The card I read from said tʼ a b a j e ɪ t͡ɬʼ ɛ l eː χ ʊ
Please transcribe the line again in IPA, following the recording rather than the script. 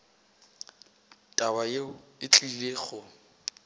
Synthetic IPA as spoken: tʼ a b a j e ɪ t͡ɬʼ i l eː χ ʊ